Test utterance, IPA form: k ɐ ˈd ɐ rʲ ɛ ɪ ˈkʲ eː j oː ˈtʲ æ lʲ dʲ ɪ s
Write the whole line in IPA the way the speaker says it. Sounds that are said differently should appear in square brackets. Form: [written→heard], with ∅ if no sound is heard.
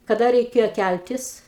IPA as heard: k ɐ ˈd ɐ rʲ ɛ ɪ ˈkʲ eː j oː [ˈtʲ→ˈkʲ] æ lʲ [dʲ→tʲ] ɪ s